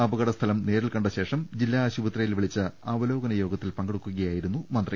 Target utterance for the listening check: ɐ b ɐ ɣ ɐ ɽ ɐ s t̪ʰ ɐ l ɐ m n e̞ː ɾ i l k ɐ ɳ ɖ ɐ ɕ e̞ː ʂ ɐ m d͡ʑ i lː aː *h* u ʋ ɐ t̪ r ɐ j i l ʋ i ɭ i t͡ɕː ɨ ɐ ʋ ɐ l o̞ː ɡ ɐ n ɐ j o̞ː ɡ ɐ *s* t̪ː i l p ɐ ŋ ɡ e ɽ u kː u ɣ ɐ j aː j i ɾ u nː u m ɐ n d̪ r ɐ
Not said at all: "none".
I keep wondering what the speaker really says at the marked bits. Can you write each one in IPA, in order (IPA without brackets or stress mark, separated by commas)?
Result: ɕ, none